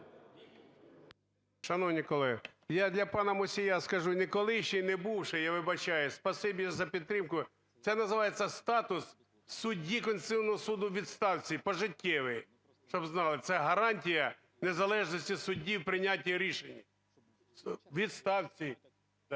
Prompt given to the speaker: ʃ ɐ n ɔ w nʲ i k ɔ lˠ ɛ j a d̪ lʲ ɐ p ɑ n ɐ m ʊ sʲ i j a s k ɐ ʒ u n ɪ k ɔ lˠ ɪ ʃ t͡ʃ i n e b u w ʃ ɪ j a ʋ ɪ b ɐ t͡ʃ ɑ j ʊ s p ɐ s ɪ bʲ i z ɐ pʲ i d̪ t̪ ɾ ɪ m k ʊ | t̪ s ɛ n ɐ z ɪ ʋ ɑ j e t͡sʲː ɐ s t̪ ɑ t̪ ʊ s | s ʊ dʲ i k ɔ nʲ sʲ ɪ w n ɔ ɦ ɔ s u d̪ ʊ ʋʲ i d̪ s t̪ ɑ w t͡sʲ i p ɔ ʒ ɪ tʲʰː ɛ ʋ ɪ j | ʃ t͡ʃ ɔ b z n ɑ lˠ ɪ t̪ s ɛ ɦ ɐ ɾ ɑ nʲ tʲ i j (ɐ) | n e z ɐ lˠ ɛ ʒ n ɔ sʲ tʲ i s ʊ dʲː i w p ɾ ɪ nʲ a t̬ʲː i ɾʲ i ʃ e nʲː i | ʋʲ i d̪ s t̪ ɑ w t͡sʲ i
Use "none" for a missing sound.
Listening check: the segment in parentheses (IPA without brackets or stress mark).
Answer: ɐ